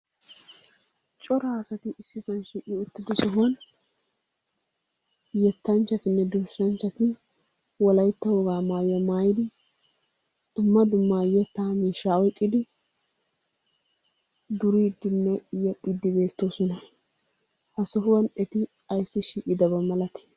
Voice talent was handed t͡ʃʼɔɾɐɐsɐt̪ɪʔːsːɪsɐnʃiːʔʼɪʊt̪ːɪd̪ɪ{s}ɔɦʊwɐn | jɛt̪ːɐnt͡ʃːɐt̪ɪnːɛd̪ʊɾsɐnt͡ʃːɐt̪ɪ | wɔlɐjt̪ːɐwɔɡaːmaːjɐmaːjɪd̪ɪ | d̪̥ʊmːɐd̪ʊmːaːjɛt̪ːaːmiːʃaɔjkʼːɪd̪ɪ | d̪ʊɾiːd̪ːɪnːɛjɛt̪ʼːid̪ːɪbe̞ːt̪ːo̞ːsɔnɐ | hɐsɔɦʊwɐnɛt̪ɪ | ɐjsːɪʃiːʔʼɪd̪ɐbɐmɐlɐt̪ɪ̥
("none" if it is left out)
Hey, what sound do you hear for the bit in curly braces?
s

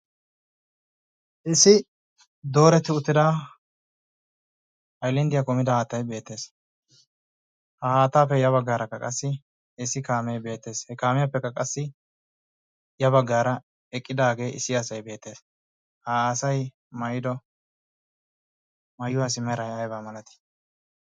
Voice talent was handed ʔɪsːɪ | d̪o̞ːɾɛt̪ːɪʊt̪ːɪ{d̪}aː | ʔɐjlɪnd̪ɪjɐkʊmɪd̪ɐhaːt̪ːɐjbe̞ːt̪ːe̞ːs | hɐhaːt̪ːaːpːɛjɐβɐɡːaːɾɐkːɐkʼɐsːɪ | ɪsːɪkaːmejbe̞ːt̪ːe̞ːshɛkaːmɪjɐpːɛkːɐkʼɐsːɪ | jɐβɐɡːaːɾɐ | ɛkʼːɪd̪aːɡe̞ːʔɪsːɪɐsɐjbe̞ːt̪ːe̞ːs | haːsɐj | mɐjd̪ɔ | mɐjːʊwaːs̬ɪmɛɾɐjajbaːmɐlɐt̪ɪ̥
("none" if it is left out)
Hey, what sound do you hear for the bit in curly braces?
d̪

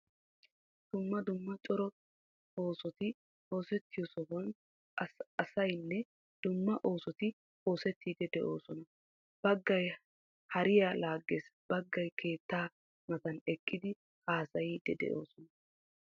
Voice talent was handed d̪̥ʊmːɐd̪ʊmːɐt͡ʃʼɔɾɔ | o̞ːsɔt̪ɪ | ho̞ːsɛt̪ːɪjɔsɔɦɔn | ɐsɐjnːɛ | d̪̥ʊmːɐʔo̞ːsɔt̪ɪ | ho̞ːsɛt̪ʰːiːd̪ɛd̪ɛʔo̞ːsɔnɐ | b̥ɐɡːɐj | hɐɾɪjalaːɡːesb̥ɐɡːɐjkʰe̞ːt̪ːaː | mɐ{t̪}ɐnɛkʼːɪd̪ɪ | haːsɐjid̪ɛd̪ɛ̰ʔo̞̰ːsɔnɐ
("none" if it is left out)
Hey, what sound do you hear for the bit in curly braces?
t̪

